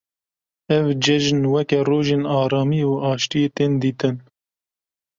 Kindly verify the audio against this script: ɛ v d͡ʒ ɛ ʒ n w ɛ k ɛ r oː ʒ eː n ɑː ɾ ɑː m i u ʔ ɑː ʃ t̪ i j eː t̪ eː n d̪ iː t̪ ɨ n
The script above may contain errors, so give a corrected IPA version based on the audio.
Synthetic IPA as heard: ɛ v d͡ʒ ɛ ʒ n w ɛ k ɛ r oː ʒ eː n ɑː ɾ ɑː m i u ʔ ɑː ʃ t̪ i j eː t̪ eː n d̪ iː t̪ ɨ n

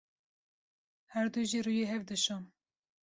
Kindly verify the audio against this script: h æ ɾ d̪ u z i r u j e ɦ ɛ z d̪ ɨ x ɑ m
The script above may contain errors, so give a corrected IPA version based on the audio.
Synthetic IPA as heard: h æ ɾ d̪ u ʒ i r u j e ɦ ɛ v d̪ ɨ ʃ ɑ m

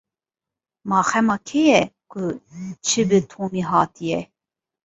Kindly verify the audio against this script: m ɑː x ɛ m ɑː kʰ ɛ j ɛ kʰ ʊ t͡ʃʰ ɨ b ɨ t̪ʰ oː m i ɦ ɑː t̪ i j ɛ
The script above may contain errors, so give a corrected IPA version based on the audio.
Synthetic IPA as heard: m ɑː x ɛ m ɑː kʰ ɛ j ɛ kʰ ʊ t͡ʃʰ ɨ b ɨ t̪ʰ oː m i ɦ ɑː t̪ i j ɛ

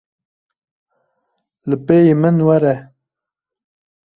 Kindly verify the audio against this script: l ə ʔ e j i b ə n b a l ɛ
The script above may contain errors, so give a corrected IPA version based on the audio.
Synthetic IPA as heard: l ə p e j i m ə n w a ɾ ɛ

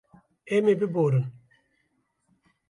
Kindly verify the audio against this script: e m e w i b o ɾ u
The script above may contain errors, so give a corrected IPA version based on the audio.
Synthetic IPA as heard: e m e b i b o ɾ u

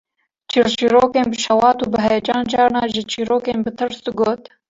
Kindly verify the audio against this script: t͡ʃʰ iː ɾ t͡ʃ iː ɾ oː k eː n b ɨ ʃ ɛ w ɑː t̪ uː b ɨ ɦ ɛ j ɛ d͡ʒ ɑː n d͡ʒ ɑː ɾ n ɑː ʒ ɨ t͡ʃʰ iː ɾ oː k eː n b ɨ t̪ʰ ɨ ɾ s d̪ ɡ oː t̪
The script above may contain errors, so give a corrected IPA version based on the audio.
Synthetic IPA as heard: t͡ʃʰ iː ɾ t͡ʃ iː ɾ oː k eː n b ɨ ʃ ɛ w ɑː t̪ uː b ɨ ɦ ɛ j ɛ d͡ʒ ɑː n d͡ʒ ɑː ɾ n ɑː ʒ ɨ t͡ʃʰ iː ɾ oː k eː n b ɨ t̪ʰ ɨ ɾ s d̪ ɡ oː t̪

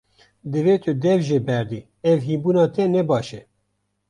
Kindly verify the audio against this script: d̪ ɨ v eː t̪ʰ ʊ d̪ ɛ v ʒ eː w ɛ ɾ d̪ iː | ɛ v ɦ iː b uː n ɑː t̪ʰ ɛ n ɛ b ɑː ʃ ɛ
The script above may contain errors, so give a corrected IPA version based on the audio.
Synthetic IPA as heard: d̪ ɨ v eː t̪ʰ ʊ d̪ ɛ v ʒ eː b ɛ ɾ d̪ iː | ɛ v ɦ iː b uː n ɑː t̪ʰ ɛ n ɛ b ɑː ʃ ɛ

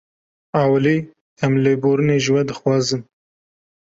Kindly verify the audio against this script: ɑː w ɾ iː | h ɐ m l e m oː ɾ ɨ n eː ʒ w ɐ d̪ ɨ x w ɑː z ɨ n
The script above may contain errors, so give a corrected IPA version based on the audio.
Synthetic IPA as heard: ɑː w l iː | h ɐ m l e b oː ɾ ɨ n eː ʒ w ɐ d̪ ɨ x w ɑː z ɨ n

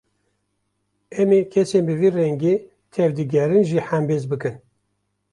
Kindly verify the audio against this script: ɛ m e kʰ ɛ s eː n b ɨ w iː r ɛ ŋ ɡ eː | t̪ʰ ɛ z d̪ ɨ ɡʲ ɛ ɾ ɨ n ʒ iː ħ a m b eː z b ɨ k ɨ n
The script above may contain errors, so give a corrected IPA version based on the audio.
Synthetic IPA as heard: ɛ m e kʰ ɛ s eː n b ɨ v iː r ɛ ŋ ɡ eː | t̪ʰ ɛ v d̪ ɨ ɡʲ ɛ ɾ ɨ n ʒ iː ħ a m b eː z b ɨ k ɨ n

